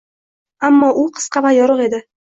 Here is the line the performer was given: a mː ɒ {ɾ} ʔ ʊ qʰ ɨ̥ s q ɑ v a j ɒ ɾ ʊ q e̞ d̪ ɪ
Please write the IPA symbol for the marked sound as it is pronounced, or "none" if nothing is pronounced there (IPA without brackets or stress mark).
none